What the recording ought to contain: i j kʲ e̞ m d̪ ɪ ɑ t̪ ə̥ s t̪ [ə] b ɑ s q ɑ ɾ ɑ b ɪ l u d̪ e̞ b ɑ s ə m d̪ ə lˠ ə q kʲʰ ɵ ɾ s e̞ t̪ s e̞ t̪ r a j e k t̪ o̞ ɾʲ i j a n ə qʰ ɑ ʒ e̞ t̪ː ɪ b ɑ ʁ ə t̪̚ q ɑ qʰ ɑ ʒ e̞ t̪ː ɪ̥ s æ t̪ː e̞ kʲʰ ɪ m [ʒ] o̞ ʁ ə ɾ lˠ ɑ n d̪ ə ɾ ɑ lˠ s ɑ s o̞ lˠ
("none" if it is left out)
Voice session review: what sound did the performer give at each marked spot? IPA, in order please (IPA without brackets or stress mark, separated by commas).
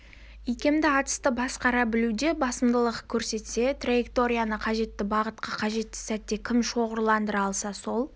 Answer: ə, ʃ